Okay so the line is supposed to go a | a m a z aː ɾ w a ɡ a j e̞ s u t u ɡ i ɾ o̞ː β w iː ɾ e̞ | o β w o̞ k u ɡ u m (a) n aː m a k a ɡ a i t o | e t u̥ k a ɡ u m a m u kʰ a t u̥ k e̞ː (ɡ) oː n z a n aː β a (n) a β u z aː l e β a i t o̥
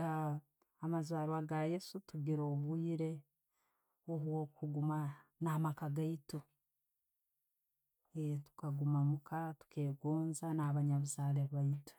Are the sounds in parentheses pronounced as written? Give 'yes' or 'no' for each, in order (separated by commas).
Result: yes, yes, no